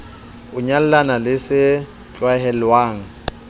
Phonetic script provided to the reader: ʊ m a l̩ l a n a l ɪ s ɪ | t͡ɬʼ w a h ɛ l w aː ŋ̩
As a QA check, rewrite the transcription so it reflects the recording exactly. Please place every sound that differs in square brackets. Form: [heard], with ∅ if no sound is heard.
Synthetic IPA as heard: ʊ [ɲ] a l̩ l a n a l ɪ s ɪ | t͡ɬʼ w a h ɛ l w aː ŋ̩